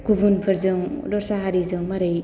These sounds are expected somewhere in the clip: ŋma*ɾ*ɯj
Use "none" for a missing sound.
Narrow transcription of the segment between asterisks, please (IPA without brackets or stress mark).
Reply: ɾ